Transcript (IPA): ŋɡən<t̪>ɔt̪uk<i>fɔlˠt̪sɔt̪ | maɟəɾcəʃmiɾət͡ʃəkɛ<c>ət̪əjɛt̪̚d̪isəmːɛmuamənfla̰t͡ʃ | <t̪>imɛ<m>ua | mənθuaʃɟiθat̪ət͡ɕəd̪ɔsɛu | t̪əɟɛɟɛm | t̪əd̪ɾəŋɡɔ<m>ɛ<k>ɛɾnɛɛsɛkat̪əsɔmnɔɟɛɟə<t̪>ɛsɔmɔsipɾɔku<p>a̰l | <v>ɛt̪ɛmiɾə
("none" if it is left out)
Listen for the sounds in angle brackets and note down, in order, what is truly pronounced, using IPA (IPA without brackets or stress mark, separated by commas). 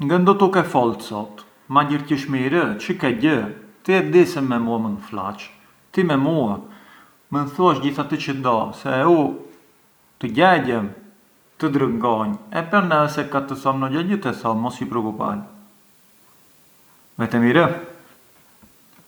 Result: d̪, ɛ, ɟ, t̪, m, ɲ, p, t̪, p, v